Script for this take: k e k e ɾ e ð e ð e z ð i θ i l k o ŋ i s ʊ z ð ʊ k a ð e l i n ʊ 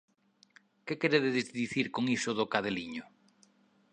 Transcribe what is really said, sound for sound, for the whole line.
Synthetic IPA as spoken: k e k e ɾ e ð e ð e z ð i θ i ɾ k o ŋ i s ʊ ð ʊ k a ð e l i ɲ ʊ